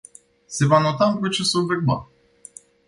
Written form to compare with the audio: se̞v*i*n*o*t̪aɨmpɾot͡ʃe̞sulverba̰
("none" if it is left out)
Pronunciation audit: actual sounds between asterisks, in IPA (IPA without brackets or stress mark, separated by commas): a, o